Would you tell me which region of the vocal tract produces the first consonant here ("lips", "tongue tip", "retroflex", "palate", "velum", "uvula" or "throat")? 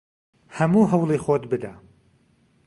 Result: throat